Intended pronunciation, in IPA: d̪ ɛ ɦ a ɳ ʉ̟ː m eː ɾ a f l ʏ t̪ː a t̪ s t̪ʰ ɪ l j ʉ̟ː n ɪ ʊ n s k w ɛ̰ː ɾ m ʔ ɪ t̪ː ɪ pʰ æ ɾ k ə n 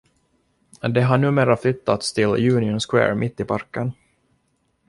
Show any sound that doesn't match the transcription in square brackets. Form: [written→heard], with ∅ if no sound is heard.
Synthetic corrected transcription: d̪ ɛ ɦ a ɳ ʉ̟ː m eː ɾ a f l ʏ t̪ː a t̪ s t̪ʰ ɪ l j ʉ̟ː n ɪ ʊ n s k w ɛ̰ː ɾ m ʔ ɪ t̪ː ɪ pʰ [æ→a] ɾ k ə n